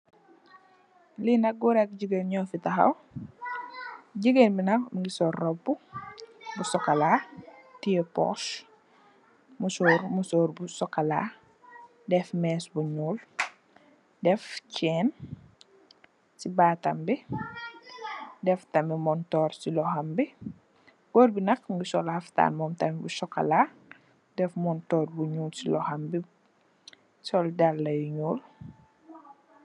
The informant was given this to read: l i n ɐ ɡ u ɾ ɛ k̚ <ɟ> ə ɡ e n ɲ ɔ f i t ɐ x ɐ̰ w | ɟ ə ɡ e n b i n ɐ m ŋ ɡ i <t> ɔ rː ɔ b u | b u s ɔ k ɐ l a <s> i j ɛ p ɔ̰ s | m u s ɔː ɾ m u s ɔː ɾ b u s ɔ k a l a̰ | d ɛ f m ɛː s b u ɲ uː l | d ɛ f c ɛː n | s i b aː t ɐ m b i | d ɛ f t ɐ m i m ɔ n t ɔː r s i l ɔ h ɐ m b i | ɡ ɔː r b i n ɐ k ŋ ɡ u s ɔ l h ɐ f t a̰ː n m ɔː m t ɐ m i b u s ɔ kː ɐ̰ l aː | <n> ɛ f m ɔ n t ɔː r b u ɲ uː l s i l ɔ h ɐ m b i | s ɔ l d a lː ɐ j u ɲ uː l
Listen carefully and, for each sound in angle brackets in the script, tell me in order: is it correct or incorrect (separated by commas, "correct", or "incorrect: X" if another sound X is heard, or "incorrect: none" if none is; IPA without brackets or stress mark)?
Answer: correct, incorrect: s, incorrect: t, incorrect: d